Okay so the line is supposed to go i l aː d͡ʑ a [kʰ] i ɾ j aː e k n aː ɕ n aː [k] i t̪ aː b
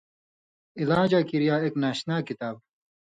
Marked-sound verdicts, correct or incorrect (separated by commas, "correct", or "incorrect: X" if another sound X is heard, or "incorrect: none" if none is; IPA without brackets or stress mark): incorrect: k, correct